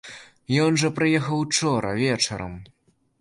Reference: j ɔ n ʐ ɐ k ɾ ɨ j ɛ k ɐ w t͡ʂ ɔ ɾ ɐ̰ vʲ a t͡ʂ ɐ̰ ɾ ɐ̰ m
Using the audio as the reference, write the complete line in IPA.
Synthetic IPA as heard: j ɔ n ʐ ɐ p ɾ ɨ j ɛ x ɐ w t͡ʂ ɔ ɾ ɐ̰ vʲ ɛ t͡ʂ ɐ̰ ɾ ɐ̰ m